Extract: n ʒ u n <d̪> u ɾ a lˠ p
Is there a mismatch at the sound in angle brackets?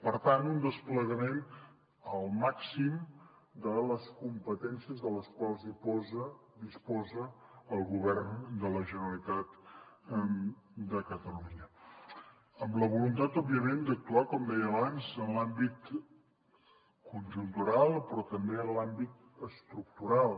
yes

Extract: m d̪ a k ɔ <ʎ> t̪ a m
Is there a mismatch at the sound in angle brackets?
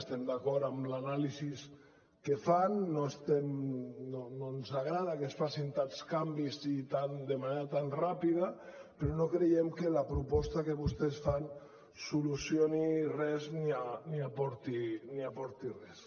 yes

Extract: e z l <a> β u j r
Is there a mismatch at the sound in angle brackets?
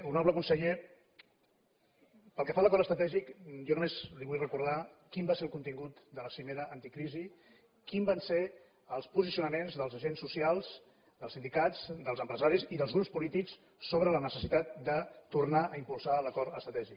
yes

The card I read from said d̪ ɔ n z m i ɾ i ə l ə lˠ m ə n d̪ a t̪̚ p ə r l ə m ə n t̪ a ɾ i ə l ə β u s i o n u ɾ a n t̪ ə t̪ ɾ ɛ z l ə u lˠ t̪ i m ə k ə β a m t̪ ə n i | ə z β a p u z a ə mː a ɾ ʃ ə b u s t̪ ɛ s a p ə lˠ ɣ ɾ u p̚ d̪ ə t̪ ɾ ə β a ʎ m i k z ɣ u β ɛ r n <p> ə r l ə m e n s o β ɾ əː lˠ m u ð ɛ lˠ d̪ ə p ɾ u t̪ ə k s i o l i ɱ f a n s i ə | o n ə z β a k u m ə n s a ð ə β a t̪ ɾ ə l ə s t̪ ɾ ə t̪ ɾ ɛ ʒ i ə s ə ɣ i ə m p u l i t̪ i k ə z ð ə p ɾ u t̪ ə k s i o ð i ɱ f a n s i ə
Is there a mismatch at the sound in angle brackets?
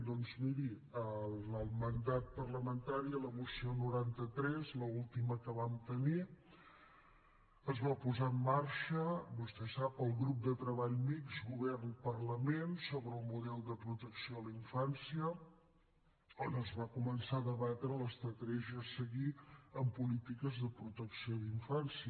no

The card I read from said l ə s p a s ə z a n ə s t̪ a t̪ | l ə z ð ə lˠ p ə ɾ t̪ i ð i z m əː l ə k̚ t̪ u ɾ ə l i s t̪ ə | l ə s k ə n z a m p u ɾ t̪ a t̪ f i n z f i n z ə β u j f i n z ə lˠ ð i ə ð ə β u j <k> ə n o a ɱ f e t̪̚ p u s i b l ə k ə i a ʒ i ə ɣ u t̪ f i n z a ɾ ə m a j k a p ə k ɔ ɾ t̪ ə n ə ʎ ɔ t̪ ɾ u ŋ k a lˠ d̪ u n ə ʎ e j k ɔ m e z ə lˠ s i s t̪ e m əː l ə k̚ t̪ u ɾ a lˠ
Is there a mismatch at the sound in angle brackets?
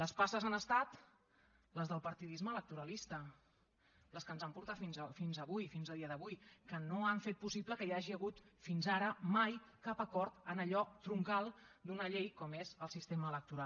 no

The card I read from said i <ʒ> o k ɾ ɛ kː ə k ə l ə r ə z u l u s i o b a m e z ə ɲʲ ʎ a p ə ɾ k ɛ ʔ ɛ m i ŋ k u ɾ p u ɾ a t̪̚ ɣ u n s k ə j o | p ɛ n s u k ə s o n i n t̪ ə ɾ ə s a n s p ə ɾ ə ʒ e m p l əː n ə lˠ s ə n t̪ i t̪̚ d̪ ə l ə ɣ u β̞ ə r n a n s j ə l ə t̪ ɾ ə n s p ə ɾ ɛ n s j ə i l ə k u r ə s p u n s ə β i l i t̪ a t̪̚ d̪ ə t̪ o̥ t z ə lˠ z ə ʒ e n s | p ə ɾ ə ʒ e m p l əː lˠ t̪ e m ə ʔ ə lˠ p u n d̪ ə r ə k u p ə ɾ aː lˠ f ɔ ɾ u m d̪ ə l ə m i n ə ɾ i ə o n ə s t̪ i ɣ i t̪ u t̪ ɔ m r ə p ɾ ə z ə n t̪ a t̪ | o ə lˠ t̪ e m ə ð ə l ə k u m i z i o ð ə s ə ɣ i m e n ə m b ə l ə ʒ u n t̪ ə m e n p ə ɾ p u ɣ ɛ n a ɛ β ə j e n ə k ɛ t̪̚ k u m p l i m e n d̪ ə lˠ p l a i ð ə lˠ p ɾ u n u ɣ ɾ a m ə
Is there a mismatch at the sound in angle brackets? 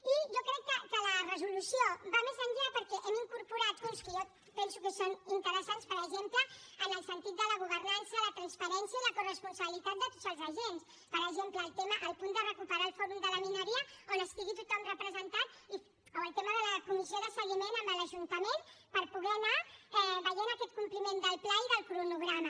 no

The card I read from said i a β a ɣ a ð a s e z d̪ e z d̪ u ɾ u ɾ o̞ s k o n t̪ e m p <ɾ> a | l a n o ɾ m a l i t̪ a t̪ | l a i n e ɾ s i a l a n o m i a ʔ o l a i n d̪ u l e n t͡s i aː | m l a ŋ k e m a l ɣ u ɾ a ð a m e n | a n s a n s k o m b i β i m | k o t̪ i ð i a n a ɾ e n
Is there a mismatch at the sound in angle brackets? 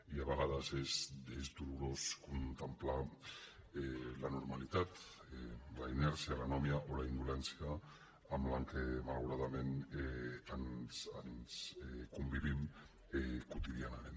yes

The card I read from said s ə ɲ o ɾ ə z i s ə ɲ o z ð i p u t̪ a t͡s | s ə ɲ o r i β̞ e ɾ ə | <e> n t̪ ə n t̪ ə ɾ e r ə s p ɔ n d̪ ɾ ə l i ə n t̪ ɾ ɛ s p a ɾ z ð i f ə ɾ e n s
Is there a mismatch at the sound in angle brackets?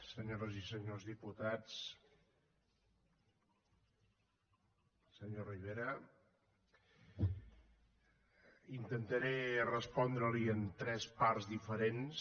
yes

